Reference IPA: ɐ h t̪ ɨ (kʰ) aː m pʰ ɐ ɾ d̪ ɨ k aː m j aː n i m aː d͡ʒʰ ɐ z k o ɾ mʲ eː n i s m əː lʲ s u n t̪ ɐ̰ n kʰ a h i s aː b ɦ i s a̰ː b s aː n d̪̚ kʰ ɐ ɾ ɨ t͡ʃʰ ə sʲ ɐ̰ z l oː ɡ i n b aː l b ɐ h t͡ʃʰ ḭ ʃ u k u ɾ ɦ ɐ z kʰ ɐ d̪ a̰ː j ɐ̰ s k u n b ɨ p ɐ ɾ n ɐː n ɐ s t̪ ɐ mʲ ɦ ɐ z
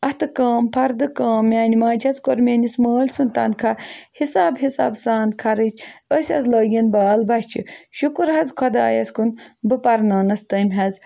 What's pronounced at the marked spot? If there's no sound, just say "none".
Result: k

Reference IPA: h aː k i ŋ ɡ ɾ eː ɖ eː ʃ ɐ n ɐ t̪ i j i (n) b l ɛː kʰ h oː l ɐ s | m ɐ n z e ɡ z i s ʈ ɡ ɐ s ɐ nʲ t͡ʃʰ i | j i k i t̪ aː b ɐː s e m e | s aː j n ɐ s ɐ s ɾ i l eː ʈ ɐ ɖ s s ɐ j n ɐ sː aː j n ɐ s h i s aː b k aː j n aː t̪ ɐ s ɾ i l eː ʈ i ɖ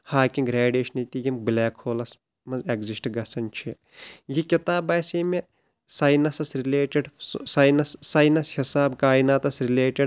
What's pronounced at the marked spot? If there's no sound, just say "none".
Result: m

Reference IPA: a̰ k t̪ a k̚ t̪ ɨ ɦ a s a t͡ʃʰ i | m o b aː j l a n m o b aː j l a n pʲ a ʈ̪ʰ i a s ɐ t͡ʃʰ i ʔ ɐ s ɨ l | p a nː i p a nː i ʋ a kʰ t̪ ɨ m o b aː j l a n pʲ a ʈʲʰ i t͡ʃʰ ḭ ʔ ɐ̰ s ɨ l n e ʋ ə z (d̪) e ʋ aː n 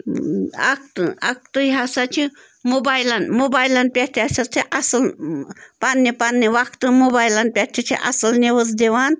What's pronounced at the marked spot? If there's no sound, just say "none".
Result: d̪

